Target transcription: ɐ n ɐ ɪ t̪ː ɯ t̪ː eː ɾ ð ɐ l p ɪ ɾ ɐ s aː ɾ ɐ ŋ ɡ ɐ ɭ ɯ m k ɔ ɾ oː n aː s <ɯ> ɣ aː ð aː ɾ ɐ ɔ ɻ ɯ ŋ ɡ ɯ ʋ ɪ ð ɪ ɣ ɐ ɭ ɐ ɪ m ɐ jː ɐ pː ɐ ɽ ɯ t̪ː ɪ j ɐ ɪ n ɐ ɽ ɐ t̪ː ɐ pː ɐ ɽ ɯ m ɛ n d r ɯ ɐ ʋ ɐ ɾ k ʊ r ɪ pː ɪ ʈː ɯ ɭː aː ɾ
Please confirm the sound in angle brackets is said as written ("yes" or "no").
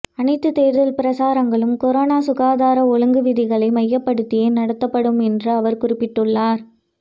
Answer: no